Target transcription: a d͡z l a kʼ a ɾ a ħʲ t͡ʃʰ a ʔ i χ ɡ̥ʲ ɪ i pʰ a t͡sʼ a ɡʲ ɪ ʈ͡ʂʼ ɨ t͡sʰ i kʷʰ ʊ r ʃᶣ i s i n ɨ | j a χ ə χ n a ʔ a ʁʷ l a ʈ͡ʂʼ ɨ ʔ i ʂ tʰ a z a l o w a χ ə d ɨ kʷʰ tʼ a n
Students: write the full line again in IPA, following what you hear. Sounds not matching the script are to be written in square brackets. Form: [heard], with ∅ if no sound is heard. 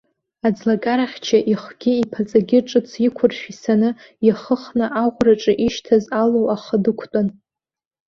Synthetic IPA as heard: a d͡z l a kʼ a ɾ a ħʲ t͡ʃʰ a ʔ i χ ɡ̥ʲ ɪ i pʰ a t͡sʼ a ɡʲ ɪ ʈ͡ʂʼ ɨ t͡sʰ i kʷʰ ʊ r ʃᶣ i s [a] n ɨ | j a χ ə χ n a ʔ a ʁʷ [r] a ʈ͡ʂʼ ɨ ʔ i [ʃ] tʰ a z a l o w a χ ə d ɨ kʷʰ tʼ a n